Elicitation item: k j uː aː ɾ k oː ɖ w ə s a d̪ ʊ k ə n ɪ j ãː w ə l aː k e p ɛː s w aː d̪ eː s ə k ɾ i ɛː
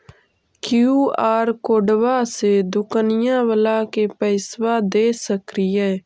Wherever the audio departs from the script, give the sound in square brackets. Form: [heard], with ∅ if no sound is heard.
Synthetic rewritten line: k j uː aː ɾ k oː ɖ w [a] s [e] d̪ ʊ k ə n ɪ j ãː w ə l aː k e p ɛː s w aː d̪ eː s ə k ɾ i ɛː